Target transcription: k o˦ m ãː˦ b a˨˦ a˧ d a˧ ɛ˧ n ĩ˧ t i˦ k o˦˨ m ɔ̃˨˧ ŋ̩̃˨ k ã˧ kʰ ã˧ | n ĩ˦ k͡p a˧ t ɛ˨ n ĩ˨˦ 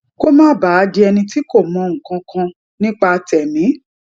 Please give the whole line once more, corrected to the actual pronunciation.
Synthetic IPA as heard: k o˦ m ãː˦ b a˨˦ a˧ d i˧ ɛ˧ n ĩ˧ t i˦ k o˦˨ m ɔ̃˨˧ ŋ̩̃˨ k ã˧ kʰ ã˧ | n ĩ˦ k͡p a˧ t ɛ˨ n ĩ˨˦